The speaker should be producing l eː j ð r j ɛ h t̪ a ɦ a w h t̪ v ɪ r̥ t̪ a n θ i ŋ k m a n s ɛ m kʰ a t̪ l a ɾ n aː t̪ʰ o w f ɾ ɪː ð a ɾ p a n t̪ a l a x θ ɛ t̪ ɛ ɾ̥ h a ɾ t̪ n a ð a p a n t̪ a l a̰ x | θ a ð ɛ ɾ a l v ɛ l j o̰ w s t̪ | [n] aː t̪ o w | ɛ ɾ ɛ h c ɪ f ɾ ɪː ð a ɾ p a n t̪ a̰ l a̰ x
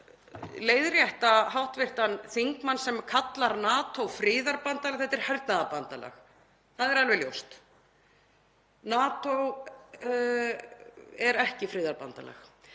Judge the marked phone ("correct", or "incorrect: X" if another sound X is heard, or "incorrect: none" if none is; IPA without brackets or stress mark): correct